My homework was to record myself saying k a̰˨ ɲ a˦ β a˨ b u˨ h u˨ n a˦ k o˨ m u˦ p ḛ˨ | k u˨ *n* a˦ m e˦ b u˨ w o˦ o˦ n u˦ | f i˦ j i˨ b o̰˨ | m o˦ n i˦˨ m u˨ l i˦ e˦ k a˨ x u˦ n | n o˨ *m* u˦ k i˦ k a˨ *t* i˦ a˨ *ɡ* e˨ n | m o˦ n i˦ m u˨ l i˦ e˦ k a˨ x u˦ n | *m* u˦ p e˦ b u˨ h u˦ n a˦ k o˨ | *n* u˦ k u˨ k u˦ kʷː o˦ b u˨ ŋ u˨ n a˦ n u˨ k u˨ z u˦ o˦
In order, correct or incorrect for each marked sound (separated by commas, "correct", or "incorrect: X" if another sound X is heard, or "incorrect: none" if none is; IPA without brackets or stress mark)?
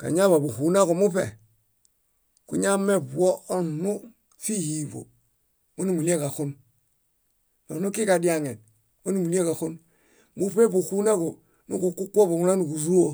incorrect: ɲ, incorrect: n, incorrect: d, incorrect: ŋ, correct, correct